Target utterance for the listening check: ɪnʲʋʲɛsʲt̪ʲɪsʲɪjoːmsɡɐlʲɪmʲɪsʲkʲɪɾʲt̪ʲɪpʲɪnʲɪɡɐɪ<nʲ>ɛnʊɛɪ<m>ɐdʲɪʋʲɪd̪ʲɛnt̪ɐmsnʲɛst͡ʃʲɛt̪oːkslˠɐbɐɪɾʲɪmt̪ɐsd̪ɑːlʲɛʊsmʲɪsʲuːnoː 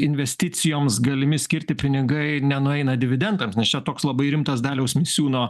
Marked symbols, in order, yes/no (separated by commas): yes, no